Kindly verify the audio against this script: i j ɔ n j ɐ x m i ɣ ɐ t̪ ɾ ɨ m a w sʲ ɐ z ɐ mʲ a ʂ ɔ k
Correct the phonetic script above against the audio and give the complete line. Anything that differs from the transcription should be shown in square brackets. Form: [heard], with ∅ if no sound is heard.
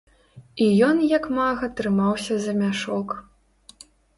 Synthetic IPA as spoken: i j ɔ n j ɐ [k] m [a] ɣ ɐ t̪ ɾ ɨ m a w sʲ ɐ z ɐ mʲ a ʂ ɔ k